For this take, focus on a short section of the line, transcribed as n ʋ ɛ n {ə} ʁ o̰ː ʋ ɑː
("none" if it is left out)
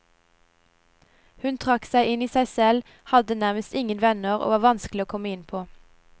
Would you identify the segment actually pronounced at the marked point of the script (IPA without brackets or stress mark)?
ə